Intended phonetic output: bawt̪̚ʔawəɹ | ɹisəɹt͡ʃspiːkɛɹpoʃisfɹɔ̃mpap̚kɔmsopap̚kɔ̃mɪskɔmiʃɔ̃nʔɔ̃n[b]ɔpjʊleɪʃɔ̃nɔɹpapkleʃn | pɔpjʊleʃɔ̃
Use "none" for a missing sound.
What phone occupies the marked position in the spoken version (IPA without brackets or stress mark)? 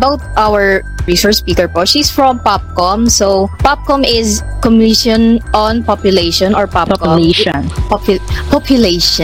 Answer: p